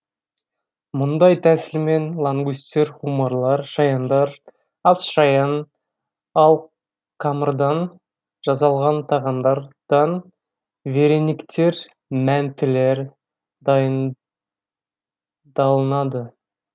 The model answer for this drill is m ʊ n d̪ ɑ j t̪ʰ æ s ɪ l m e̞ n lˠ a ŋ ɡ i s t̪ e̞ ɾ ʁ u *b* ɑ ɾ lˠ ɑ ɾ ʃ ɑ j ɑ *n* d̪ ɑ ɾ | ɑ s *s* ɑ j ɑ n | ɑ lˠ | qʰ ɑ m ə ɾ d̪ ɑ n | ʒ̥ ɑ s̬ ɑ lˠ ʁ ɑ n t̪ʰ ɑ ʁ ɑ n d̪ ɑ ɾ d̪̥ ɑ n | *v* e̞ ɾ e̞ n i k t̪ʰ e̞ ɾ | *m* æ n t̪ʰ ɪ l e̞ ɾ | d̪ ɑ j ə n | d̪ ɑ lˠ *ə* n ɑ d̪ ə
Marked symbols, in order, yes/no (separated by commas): no, yes, no, yes, yes, yes